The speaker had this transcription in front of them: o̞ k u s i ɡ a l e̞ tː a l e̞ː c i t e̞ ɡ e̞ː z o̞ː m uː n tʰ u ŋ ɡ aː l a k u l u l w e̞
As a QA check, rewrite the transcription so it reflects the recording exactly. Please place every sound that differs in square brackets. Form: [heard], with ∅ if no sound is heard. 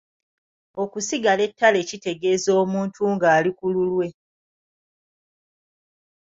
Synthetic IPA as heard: o̞ k u s i ɡ a l e̞ tː a l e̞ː c i t e̞ ɡ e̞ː z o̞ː m uː n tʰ u ŋ ɡ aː l [i] k u l u l w e̞